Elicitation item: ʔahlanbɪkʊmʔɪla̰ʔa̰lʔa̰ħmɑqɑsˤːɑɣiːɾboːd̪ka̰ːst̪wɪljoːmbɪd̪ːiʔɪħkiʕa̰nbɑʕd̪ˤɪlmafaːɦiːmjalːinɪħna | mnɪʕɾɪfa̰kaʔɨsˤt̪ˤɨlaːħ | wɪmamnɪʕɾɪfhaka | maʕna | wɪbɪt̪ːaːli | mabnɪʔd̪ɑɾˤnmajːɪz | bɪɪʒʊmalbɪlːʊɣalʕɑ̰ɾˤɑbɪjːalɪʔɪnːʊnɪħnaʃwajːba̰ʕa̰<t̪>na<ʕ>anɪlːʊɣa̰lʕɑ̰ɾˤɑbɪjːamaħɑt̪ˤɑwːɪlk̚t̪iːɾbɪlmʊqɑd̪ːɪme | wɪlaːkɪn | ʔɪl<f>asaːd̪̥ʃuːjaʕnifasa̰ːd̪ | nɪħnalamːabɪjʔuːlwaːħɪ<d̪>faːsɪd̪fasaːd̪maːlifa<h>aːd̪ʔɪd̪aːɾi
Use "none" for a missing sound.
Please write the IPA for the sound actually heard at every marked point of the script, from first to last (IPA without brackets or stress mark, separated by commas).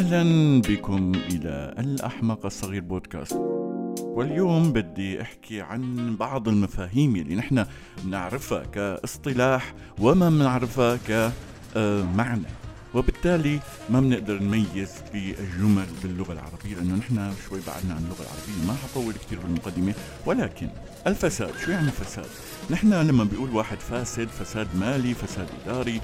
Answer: d̪, ʕ, f, d̪, s